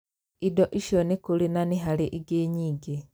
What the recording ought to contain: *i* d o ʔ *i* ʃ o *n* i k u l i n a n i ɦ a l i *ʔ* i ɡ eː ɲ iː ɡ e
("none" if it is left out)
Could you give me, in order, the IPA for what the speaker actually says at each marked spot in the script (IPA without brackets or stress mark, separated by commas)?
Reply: i, i, n, ʔ